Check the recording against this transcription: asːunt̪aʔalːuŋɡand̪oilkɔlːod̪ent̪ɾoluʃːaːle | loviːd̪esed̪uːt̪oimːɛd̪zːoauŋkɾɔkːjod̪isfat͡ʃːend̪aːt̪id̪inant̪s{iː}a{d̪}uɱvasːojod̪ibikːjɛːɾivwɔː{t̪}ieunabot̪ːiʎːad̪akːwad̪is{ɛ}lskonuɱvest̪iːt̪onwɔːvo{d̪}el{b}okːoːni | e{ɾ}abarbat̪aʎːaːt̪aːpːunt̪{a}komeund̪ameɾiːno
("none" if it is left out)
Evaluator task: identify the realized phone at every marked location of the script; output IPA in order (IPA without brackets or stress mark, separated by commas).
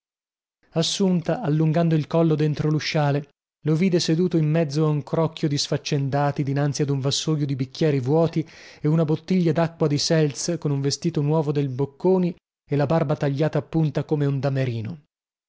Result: i, d̪, t̪, ɛ, d̪, b, l, a